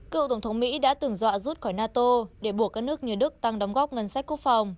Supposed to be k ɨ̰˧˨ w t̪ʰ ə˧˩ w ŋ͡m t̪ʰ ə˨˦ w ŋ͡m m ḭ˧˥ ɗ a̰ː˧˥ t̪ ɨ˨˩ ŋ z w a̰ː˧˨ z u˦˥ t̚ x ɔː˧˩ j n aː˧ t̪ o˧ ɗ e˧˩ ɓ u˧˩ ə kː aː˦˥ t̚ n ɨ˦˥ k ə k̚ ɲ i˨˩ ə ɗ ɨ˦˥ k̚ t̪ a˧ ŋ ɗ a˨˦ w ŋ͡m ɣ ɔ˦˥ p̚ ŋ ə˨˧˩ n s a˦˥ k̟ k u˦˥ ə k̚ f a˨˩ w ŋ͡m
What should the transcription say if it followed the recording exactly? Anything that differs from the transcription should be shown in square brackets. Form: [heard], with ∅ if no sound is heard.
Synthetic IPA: k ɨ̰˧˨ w [t̪] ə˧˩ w ŋ͡m t̪ʰ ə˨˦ w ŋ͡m m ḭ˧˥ ɗ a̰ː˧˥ t̪ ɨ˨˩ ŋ z w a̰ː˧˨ z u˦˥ t̚ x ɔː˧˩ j n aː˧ t̪ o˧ ɗ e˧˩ ɓ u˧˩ ə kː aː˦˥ [k̚] n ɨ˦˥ [∅] ə k̚ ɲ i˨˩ ə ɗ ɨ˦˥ k̚ t̪ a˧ ŋ ɗ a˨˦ w ŋ͡m ɣ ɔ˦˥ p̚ ŋ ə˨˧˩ n s a˦˥ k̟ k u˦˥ ə k̚ f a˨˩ w ŋ͡m

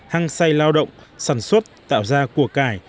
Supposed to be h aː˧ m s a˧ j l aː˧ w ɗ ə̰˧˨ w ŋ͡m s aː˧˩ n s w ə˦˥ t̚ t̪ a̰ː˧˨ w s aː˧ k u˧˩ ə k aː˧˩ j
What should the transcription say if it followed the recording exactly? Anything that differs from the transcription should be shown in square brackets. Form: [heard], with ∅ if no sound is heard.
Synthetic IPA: h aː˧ [ŋ] s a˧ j l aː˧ w ɗ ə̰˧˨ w ŋ͡m s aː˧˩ n s w ə˦˥ t̚ t̪ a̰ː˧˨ w [z] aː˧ k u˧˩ ə k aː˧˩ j

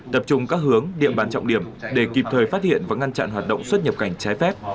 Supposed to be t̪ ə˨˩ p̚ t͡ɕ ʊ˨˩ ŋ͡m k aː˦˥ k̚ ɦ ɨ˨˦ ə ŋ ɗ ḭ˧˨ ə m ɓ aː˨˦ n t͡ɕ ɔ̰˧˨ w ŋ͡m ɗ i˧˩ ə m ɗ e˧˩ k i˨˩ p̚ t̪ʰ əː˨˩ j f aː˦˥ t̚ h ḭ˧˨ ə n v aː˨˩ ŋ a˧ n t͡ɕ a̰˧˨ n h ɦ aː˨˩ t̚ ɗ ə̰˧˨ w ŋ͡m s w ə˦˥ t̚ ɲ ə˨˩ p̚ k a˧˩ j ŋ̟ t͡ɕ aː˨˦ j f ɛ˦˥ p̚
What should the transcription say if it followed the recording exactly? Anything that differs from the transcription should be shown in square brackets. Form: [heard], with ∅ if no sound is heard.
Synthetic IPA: t̪ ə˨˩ p̚ t͡ɕ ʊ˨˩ ŋ͡m k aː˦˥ k̚ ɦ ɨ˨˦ ə ŋ ɗ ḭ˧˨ ə m ɓ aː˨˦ n t͡ɕ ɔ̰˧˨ w ŋ͡m ɗ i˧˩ ə m ɗ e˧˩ k i˨˩ p̚ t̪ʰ əː˨˩ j f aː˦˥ t̚ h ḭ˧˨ ə n v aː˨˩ ŋ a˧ n t͡ɕ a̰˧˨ n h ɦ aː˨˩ t̚ ɗ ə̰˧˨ w ŋ͡m s w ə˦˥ t̚ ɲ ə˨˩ p̚ k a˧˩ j ŋ̟ t͡ɕ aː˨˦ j f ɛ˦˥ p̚

